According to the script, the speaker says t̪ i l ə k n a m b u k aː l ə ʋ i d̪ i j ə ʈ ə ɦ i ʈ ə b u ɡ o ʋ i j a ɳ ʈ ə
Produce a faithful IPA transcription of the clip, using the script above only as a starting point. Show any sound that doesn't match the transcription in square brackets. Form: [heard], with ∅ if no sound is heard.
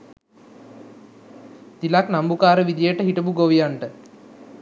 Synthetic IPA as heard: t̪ i l [a] k n a m b u k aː [ɾ] ə ʋ i d̪ i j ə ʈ ə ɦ i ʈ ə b u ɡ o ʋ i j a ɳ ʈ ə